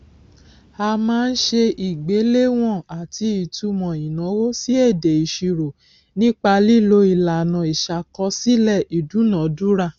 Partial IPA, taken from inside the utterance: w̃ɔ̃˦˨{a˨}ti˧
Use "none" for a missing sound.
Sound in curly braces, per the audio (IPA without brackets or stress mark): a˨